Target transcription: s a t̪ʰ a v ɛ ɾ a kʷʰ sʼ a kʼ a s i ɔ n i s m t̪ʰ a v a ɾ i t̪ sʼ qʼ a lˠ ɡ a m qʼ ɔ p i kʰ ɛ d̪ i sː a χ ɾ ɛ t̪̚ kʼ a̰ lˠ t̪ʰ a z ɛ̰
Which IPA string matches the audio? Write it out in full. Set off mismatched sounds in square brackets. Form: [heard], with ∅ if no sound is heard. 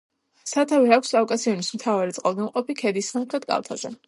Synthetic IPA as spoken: s a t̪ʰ a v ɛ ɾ a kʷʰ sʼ a kʼ a s i ɔ n i s m t̪ʰ a v a ɾ i t̪ sʼ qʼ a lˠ ɡ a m qʼ ɔ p i kʰ ɛ d̪ i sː a χ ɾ ɛ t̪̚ kʼ a̰ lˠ t̪ʰ a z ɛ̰